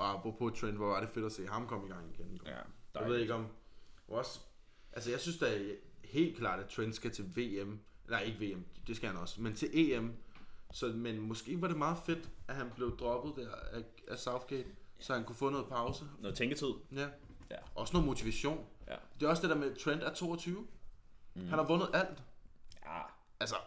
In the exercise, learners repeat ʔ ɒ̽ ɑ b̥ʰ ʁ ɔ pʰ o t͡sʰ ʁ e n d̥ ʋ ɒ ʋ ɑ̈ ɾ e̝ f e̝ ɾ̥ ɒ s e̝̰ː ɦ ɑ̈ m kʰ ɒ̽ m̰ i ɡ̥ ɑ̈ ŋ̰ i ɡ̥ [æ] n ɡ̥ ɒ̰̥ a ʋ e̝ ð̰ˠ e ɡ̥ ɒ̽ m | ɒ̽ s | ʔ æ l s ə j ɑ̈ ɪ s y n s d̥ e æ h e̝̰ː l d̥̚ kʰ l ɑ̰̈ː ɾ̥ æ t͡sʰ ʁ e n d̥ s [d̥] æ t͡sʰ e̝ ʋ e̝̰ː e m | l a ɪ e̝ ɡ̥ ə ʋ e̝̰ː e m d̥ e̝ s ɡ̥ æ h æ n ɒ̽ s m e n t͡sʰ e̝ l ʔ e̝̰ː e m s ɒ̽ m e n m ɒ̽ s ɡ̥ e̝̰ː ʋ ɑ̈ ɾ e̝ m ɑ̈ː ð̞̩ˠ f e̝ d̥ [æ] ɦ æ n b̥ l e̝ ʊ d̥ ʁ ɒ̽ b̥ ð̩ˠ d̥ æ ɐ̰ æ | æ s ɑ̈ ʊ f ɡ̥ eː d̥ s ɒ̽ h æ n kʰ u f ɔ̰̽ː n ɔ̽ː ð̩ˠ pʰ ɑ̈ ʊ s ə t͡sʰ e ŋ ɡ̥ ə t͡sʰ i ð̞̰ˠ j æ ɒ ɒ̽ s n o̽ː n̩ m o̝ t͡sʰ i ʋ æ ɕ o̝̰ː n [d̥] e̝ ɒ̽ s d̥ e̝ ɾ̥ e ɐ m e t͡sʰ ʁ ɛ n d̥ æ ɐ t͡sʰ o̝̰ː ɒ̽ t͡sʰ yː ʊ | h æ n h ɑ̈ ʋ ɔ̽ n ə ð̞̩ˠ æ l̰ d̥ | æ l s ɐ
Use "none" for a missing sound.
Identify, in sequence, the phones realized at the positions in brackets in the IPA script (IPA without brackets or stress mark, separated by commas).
e, ɡ̥, æ, d̥